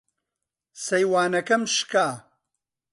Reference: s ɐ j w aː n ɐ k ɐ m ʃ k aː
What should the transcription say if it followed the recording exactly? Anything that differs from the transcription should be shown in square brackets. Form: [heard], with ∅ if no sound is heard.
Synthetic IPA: s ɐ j w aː n ɐ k ɐ m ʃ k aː